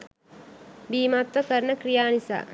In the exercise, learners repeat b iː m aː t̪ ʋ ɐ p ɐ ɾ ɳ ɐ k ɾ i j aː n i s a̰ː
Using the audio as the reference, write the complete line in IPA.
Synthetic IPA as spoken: b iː m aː t̪ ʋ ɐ k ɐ ɾ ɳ ɐ k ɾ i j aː n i s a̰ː